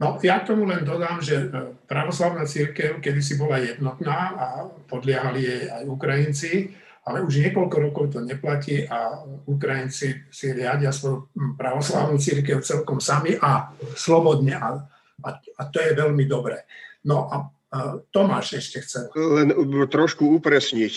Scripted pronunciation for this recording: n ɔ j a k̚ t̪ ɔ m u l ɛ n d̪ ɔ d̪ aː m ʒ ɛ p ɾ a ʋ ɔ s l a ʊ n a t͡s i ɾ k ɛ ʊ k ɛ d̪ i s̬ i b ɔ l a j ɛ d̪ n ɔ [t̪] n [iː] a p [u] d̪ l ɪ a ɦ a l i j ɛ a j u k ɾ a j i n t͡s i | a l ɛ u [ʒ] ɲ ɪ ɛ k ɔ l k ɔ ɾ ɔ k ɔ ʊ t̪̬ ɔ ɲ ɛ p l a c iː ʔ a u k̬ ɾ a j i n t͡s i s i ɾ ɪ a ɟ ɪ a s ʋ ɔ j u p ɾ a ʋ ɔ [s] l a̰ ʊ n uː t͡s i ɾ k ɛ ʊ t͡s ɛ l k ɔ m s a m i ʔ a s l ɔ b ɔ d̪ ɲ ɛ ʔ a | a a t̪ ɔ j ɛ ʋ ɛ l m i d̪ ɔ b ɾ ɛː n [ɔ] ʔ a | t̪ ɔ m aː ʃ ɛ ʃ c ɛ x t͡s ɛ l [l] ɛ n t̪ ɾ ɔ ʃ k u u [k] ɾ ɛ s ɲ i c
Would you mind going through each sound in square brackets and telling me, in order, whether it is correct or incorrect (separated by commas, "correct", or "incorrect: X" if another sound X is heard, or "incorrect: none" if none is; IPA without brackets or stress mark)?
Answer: correct, incorrect: aː, incorrect: ɔ, correct, correct, correct, correct, incorrect: p